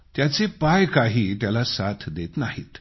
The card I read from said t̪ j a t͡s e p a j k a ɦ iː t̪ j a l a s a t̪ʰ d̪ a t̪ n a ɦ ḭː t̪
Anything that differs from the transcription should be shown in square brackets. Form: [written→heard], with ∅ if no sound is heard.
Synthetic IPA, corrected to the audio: t̪ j a t͡s e p a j k a ɦ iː t̪ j a l a s a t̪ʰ d̪ [a→e] t̪ n a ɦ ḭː t̪